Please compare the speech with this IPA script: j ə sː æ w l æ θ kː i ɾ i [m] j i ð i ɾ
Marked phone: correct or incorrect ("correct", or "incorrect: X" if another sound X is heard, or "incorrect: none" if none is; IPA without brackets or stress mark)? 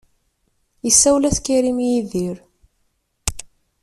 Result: correct